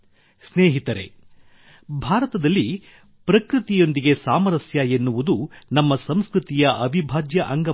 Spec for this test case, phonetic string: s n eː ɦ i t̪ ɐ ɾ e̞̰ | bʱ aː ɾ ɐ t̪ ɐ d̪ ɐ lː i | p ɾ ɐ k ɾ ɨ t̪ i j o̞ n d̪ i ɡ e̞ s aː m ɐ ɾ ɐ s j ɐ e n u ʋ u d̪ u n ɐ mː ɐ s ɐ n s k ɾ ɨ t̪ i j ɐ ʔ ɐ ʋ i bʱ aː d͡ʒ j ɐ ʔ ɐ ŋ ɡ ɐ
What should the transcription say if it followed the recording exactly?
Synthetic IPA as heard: s n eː ɦ i t̪ ɐ ɾ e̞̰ | bʱ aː ɾ ɐ t̪ ɐ d̪ ɐ lː i | p ɾ ɐ k ɾ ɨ t̪ i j o̞ n d̪ i ɡ e̞ s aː m ɐ ɾ ɐ s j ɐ e nː u ʋ u d̪ u n ɐ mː ɐ s ɐ m s k ɾ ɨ t̪ i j ɐ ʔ ɐ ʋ i bʱ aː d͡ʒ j ɐ ʔ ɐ ŋ ɡ ɐ